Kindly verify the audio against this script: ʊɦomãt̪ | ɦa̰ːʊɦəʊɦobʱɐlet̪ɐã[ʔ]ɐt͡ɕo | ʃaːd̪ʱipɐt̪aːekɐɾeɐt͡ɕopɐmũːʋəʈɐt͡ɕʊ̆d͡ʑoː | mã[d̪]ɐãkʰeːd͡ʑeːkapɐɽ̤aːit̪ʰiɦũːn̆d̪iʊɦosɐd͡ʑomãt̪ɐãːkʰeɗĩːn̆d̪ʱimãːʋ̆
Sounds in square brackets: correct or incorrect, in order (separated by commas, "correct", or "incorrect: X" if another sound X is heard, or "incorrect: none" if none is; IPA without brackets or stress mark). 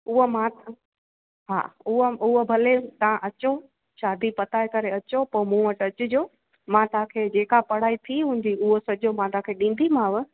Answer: correct, incorrect: t̪